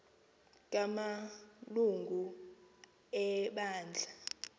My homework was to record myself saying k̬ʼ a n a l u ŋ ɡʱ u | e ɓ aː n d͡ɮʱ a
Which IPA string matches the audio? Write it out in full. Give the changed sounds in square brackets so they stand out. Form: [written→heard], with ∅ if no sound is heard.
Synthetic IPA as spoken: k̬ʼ a [n→m] a l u ŋ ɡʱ u | [e→ɛ] ɓ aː n d͡ɮʱ a